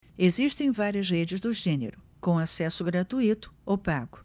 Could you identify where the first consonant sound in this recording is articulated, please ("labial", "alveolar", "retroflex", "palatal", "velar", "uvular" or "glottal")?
alveolar